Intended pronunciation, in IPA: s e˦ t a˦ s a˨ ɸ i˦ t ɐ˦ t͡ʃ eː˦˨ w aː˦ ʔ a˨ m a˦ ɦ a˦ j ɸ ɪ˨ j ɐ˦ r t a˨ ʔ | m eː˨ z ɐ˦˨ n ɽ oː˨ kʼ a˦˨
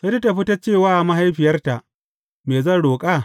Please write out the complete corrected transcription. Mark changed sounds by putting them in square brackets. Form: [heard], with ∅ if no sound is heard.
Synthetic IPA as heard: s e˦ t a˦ [t] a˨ ɸ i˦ t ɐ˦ t͡ʃ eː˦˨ w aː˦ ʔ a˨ m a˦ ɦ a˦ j ɸ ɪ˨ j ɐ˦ r t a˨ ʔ | m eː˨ z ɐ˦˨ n ɽ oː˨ kʼ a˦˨